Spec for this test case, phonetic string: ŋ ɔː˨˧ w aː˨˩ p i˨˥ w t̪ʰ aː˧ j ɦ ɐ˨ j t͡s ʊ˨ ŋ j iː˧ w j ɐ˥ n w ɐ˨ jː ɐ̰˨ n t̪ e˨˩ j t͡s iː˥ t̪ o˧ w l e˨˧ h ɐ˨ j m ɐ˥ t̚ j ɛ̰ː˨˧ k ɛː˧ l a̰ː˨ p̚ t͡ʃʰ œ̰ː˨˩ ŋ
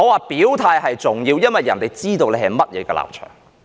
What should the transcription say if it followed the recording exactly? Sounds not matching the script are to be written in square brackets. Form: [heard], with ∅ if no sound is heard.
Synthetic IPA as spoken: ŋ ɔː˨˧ w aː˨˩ p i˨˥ w t̪ʰ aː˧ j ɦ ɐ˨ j t͡s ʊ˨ ŋ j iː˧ w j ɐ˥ n w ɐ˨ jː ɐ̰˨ n t̪ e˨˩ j t͡s iː˥ t̪ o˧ w l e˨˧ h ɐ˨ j m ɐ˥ t̚ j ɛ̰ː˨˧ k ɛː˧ l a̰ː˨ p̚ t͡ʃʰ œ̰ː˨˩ ŋ